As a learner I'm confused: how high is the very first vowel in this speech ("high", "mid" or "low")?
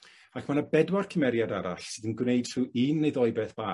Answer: low